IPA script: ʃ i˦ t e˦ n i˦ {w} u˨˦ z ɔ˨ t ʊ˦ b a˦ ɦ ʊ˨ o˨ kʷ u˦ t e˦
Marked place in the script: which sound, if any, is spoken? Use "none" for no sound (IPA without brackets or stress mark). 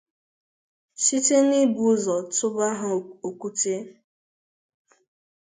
b